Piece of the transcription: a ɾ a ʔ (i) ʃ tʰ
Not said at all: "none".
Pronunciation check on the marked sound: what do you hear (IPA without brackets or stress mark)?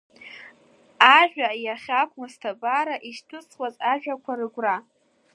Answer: i